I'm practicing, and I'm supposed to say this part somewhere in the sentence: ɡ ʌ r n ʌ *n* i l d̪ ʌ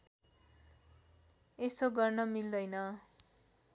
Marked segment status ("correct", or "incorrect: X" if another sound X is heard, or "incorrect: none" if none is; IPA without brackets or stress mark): incorrect: m